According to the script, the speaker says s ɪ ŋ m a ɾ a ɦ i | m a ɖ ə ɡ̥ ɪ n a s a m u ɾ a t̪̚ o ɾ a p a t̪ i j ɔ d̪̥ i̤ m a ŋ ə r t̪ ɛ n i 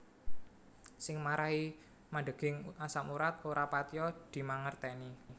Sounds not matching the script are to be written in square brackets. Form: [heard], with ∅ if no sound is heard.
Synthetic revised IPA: s ɪ ŋ m a ɾ a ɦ i | m a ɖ ə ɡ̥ ɪ [ŋ] a s a m u ɾ a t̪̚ o ɾ a p a t̪ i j ɔ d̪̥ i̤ m a ŋ ə r t̪ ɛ n i